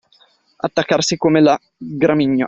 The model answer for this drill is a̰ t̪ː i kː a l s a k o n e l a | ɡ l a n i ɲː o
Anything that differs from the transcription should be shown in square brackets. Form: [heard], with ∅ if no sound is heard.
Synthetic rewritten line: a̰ t̪ː [a] kː a [r] s [i] k o [m] e l a | ɡ [ɾ] a [m] i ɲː o